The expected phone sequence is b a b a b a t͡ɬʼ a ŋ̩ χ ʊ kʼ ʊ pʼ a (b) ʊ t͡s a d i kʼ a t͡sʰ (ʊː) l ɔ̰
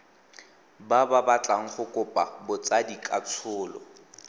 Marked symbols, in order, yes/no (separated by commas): yes, yes